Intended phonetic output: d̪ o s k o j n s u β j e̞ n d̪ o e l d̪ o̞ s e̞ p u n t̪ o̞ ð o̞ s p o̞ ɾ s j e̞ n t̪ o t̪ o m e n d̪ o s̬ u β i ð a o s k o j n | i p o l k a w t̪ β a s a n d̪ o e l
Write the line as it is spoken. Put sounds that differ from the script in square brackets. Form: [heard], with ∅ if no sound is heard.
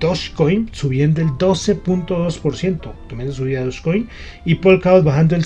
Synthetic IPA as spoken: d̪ o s k o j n s u β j e̞ n d̪ o e l d̪ o̞ s e̞ p u n t̪ o̞ ð o̞ s p o̞ ɾ s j e̞ n t̪ o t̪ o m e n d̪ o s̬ u β i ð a o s k o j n | i p o l k a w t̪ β a [x] a n d̪ o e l